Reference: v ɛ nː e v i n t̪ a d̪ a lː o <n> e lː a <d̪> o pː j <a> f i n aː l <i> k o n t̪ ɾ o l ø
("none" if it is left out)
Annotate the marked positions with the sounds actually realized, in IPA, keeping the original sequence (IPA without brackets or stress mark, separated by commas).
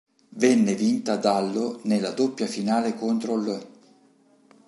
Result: n, d̪, a, e